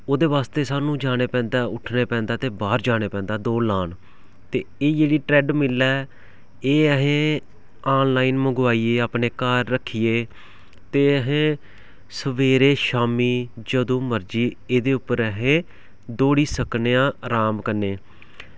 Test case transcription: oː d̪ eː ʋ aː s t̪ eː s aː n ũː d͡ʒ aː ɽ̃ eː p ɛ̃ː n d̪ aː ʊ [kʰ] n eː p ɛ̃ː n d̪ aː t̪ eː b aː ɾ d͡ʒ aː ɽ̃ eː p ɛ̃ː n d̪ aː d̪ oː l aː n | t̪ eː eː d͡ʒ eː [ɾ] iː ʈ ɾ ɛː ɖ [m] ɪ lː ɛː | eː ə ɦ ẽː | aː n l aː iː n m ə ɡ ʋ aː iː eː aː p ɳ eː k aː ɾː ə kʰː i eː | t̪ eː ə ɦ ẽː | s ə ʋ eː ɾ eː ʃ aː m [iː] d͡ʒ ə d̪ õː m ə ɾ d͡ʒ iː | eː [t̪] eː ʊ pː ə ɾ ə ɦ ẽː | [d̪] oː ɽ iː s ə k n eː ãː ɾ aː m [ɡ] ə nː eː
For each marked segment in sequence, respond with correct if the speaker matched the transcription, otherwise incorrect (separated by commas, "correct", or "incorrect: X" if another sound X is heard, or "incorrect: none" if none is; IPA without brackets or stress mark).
incorrect: ʈʰ, incorrect: ɽ, correct, correct, incorrect: d̪, correct, incorrect: k